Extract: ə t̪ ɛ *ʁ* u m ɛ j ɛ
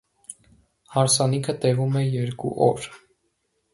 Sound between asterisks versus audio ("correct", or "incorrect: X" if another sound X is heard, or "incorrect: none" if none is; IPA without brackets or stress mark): incorrect: v